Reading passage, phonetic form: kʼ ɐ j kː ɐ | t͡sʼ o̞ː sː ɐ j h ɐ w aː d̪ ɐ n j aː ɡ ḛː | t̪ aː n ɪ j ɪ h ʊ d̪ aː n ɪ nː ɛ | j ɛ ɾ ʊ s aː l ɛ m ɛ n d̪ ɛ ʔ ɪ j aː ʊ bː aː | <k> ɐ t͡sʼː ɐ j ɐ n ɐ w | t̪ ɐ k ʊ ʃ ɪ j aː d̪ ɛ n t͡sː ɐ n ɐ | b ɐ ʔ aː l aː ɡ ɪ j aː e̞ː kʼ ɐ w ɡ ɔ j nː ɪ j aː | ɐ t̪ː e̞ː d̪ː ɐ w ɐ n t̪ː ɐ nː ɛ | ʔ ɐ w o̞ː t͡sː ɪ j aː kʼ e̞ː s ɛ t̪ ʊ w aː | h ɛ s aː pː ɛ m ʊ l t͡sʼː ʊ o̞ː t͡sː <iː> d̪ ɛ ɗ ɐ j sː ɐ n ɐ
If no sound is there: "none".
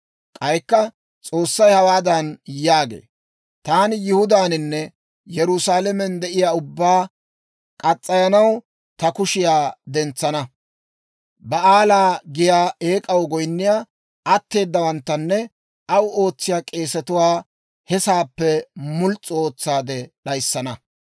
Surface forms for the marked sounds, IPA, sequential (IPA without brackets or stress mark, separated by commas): kʼ, aː